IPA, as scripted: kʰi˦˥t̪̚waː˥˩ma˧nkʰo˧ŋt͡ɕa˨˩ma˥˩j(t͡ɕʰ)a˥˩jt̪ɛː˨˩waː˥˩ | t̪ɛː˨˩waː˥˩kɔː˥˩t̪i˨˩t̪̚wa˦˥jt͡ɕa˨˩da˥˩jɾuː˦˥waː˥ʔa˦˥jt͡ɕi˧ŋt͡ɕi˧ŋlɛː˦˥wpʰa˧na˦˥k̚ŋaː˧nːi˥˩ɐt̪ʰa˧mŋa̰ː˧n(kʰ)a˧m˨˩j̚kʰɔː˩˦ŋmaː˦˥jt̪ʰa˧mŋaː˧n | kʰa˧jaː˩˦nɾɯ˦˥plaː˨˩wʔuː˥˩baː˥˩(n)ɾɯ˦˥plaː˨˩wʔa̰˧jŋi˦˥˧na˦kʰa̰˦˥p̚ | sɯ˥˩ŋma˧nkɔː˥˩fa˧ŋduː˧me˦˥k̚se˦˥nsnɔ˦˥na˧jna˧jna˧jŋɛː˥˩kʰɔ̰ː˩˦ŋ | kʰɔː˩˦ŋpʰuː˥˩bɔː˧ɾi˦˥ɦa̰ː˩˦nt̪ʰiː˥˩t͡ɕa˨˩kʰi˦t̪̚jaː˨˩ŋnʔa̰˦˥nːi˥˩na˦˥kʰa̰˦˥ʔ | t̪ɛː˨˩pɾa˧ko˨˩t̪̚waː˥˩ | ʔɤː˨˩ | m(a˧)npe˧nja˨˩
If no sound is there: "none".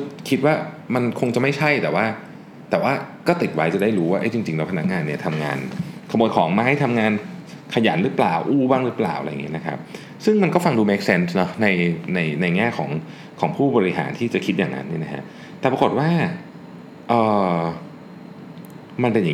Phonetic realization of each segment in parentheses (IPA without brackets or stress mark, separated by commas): t͡ɕʰ, kʰ, ŋ, a˧